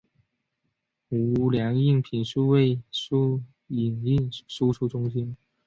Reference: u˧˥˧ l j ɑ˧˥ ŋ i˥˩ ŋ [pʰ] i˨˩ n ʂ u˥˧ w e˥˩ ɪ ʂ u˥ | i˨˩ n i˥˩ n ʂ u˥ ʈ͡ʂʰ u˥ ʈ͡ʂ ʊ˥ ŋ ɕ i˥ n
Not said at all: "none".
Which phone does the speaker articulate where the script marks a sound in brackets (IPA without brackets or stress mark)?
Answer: pʰ